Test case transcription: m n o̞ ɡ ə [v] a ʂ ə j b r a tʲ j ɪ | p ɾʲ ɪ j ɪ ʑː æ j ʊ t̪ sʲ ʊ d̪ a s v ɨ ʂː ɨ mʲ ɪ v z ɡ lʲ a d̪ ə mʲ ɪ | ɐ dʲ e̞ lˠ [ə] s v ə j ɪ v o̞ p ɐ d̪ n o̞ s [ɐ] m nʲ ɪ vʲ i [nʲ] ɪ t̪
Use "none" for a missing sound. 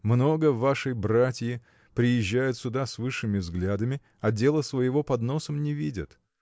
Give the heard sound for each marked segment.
v, ə, ə, dʲ

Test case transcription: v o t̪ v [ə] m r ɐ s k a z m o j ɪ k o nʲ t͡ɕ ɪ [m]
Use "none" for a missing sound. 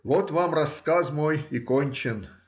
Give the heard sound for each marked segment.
a, n

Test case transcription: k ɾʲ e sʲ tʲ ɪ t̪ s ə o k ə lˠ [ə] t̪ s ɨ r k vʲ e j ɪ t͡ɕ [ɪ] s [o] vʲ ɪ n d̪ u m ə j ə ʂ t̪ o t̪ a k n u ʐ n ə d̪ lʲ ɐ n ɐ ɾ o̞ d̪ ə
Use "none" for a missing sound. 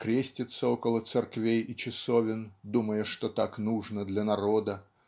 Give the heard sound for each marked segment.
ə, ɪ, o

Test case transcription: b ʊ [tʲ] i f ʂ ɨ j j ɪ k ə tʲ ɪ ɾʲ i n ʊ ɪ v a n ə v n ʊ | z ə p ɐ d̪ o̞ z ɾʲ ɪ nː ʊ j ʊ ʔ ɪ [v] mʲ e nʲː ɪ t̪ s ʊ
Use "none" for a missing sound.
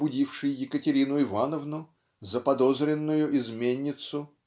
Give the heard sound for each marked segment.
dʲ, z

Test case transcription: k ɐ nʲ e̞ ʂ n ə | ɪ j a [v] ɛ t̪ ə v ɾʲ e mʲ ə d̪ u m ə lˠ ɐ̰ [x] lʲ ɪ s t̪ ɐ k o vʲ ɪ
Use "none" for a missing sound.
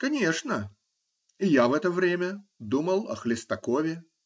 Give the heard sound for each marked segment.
v, x

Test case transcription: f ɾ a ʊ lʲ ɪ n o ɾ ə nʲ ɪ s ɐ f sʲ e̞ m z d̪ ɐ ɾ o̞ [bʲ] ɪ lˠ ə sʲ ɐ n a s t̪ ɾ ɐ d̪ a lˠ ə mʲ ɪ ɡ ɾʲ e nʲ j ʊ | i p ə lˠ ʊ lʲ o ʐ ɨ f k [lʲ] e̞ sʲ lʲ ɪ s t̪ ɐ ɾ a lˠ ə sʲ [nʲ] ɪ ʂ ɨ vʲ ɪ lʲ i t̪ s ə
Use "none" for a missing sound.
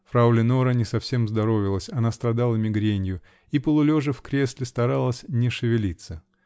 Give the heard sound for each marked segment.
vʲ, ɾʲ, nʲ

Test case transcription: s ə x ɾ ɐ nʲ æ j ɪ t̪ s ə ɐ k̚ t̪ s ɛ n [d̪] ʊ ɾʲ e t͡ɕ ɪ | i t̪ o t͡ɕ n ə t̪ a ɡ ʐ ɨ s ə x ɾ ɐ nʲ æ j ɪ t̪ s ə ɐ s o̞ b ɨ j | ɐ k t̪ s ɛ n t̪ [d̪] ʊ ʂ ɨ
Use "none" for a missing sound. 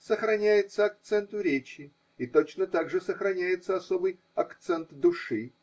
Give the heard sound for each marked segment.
t̪, d̪

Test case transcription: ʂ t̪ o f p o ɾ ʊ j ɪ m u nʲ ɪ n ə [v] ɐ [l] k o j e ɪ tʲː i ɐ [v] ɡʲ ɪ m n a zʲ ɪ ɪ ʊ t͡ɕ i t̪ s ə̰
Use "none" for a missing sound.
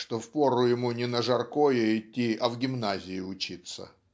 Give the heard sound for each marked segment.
ʐ, r, v

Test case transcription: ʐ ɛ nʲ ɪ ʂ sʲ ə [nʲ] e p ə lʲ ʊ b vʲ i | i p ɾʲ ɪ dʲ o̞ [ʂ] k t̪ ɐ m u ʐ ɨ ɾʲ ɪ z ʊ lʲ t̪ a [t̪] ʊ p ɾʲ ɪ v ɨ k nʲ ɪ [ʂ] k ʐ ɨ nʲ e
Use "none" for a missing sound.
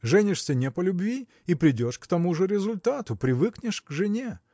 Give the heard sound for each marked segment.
nʲ, ʂ, t̪, ʂ

